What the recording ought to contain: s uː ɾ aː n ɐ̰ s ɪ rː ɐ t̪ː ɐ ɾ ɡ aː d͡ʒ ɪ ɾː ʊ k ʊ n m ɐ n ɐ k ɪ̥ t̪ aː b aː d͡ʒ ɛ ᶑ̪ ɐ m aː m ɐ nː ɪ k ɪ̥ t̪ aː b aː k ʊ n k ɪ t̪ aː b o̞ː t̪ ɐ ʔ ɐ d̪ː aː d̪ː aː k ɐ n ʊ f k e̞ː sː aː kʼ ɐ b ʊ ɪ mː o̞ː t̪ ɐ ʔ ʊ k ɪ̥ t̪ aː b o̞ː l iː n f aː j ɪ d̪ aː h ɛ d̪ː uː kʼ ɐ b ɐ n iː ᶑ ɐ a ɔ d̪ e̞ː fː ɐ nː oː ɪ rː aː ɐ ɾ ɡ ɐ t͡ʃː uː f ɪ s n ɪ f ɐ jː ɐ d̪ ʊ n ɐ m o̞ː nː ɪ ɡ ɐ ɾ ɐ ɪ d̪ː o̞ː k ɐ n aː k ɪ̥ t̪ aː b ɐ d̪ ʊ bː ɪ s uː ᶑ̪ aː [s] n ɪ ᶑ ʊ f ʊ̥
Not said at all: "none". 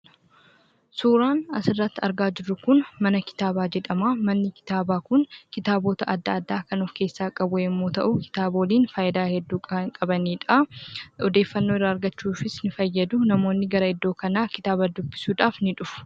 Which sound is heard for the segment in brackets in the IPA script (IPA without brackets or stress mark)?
f